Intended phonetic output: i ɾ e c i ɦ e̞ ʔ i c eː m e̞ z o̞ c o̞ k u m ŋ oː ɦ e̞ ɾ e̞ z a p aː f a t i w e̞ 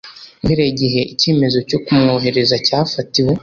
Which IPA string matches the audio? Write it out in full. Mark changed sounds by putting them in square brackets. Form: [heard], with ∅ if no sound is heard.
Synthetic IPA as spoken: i ɾ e [ɟ] i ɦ e̞ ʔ i c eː m e̞ z o̞ c o̞ k u m ŋ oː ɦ e̞ ɾ e̞ z a [c] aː f a t i w e̞